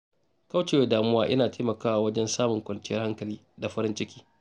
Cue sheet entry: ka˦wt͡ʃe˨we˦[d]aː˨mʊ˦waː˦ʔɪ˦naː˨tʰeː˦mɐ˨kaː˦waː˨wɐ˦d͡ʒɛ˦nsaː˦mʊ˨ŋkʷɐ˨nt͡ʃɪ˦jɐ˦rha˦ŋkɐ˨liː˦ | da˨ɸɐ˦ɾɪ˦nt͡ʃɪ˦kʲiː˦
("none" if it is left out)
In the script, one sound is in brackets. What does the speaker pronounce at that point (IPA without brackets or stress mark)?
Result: d